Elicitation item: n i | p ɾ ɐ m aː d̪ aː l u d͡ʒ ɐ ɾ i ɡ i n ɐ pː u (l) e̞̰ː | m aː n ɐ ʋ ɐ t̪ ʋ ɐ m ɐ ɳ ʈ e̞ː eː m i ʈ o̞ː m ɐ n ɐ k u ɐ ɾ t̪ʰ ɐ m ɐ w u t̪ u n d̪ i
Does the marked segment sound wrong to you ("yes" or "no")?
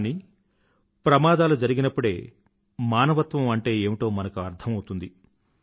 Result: yes